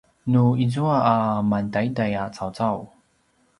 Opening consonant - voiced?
yes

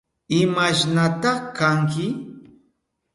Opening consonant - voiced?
yes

